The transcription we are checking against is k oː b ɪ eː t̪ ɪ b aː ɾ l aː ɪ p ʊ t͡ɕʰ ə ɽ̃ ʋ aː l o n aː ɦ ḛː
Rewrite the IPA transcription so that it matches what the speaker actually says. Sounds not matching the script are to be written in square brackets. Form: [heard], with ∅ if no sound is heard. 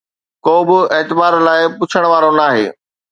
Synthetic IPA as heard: k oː b ɪ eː t̪ ɪ b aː ɾ l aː ɪ p ʊ t͡ɕʰ ə ɽ̃ ʋ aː [ɾ] o n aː ɦ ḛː